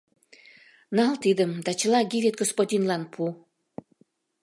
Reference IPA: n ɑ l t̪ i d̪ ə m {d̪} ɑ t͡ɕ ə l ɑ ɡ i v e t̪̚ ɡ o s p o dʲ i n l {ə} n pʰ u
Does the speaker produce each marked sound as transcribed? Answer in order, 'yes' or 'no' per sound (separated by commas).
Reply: yes, no